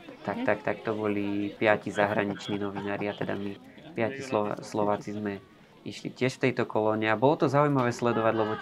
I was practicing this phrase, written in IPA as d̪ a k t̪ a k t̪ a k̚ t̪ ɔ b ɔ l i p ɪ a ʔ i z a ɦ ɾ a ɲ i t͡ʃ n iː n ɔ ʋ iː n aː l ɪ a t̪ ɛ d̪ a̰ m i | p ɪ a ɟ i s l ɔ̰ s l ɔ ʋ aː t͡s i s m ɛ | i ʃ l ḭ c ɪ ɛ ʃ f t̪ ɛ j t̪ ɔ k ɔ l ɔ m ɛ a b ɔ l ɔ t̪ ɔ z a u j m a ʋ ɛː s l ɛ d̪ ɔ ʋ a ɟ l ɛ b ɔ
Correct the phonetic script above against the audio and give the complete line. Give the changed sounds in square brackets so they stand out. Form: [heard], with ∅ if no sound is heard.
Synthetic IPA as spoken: [t̪] a k t̪ a k t̪ a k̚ t̪ ɔ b ɔ l i p ɪ a [c] i z a ɦ ɾ a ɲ i t͡ʃ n iː n ɔ ʋ [i] n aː [ɾ] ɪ a t̪ ɛ d̪ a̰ m i | p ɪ a [c] i s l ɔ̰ s l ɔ ʋ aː t͡s i [z] m ɛ | i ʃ l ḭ c ɪ ɛ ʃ f t̪ ɛ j t̪ ɔ k ɔ l ɔ [ɲ] ɛ a b ɔ l ɔ t̪ ɔ z a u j m a ʋ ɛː s l ɛ d̪ ɔ ʋ a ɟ l ɛ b ɔ